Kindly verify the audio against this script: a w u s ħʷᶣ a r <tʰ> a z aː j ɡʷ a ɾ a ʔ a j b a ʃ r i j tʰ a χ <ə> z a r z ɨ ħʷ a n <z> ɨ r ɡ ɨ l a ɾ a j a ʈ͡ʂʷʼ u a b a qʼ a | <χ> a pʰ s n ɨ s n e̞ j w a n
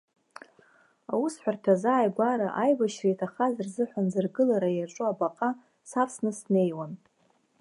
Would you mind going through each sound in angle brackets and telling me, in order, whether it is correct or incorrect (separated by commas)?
correct, incorrect, correct, incorrect